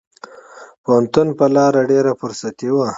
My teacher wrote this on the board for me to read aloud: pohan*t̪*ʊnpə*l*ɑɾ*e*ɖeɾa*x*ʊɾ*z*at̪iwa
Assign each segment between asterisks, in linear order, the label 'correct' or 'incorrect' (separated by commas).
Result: correct, correct, incorrect, incorrect, incorrect